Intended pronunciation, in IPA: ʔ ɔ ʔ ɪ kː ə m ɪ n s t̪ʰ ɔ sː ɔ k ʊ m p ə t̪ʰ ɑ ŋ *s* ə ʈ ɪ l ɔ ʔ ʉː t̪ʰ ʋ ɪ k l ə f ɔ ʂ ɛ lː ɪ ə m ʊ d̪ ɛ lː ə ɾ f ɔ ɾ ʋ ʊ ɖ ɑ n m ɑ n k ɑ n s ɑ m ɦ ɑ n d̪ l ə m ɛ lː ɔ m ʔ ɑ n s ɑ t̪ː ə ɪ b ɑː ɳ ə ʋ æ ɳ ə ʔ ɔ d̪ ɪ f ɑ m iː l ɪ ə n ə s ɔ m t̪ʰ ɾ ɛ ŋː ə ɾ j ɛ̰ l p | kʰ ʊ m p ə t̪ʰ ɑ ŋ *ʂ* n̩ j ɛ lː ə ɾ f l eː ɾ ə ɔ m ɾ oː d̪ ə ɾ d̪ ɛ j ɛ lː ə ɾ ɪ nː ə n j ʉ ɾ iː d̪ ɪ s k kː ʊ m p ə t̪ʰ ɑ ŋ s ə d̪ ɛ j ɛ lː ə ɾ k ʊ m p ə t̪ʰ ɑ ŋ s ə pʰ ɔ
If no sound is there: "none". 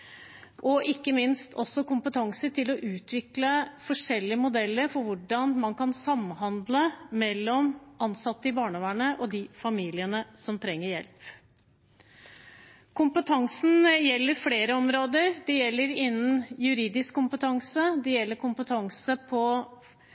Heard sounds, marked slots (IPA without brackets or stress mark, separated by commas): s, s